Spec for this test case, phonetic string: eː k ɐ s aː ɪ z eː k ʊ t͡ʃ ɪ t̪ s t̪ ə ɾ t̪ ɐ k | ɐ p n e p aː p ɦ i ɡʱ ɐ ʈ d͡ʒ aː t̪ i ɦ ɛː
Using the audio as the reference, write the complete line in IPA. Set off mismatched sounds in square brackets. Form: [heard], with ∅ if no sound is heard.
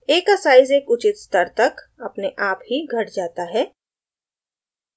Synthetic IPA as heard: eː k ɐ s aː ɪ z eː k ʊ t͡ʃ ɪ t̪ s t̪ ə ɾ t̪ ɐ k | ɐ p n e [ʔ] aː p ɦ i ɡʱ ɐ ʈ d͡ʒ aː t̪ [a] ɦ ɛː